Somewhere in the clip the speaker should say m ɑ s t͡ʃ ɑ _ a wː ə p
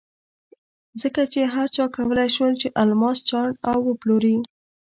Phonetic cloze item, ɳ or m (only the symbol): ɳ